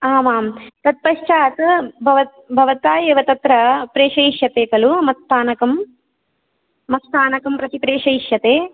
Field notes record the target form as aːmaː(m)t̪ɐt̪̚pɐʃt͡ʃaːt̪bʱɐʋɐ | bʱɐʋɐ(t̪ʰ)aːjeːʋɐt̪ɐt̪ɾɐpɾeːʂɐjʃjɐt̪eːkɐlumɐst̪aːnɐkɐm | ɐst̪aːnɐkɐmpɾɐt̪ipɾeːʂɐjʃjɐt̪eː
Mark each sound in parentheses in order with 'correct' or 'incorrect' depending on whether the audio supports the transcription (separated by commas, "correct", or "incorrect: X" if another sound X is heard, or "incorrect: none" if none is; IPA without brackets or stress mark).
correct, incorrect: t̪